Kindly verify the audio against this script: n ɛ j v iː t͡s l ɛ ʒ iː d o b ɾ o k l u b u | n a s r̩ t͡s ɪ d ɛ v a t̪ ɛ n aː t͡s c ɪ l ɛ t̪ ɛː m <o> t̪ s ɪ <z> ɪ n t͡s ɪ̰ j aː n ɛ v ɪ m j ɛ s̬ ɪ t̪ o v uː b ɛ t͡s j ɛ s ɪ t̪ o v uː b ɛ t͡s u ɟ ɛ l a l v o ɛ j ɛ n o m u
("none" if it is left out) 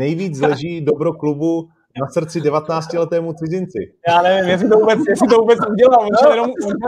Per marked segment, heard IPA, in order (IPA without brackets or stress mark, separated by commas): u, z